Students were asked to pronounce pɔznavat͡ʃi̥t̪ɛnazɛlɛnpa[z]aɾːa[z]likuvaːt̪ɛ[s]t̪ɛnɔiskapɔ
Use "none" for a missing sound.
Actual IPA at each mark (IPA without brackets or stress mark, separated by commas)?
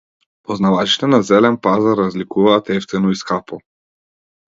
z, z, f